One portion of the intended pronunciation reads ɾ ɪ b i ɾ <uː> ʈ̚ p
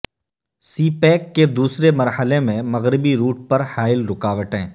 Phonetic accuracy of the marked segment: correct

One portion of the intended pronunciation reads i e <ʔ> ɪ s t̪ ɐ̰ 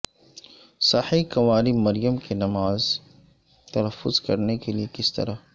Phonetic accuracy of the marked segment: incorrect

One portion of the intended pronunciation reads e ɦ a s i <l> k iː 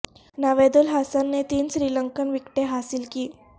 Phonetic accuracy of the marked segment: correct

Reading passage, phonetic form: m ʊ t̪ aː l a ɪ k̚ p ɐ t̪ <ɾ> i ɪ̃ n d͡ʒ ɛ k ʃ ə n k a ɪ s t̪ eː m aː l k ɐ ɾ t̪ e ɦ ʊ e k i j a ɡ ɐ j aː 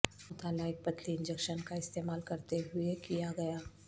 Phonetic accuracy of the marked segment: incorrect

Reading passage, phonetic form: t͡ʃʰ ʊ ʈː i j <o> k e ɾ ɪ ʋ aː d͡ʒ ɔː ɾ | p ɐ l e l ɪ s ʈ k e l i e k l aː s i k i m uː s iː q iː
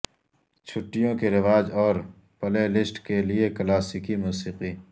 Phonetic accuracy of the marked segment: incorrect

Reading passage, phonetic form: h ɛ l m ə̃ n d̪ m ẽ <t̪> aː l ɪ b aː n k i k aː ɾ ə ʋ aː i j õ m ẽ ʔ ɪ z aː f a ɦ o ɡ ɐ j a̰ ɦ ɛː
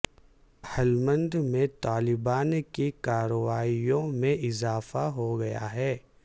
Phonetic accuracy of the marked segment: correct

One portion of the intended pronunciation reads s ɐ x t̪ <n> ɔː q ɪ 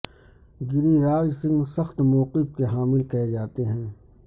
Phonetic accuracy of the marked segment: incorrect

